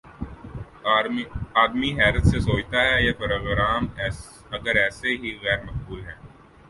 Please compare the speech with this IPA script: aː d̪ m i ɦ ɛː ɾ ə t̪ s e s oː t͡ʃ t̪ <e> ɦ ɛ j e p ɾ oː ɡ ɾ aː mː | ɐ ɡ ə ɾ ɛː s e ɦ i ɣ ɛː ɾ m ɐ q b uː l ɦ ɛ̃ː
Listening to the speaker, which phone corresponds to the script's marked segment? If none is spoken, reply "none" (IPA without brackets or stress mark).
a